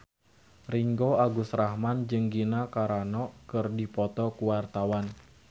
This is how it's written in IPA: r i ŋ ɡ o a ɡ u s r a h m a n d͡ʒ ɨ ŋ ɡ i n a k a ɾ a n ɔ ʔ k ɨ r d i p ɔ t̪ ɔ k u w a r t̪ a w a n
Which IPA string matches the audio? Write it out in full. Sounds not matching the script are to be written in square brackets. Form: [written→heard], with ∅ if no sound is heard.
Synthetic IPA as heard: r i ŋ ɡ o a ɡ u s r a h m a n d͡ʒ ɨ ŋ ɡ i n a k a ɾ a n ɔ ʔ k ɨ r d i p ɔ t̪ ɔ k u w a r t̪ a w a n